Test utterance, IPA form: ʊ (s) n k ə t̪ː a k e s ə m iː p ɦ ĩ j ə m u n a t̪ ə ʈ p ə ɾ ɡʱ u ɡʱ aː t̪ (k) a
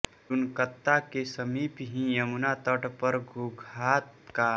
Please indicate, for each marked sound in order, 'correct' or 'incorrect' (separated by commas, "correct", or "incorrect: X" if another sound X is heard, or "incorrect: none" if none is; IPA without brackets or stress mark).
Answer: incorrect: none, correct